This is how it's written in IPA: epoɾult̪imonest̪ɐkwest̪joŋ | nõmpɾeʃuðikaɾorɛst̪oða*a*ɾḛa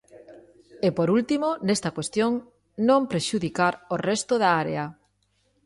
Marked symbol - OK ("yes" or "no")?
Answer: yes